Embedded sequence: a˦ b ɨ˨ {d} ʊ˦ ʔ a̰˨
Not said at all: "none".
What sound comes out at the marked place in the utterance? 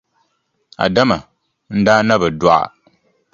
d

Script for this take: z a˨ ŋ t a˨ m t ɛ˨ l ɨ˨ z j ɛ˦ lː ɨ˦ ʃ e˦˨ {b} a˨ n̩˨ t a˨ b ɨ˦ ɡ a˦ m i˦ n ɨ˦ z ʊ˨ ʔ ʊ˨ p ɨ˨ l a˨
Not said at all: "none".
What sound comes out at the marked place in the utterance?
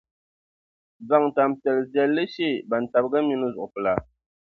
b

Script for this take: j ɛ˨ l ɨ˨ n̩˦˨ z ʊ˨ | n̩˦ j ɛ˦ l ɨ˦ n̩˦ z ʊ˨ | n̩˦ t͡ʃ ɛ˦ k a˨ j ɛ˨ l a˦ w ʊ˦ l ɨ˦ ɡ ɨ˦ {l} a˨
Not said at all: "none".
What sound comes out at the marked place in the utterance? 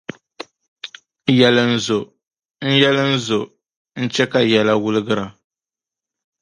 ɾ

